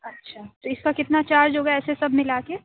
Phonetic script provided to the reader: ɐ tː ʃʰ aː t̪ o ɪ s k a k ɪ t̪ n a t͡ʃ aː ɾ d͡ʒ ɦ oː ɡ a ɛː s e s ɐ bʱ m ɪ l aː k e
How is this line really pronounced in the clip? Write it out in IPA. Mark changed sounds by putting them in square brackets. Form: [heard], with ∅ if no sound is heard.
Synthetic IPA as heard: ɐ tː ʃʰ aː t̪ o ɪ s k a k ɪ t̪ n a t͡ʃ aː ɾ d͡ʒ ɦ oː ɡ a ɛː s e s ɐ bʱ m ɪ l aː k e

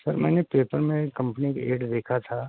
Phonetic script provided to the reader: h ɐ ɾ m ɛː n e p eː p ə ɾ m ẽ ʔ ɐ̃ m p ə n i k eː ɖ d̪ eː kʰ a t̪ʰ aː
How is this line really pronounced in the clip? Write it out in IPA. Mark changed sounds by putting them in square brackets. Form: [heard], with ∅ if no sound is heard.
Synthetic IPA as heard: [s] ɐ ɾ m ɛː n e p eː p ə ɾ m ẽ [k] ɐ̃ m p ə n i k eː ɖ d̪ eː kʰ a t̪ʰ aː

